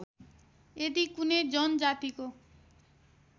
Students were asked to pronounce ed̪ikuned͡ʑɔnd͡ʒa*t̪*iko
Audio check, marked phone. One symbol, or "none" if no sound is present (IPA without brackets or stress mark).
t̪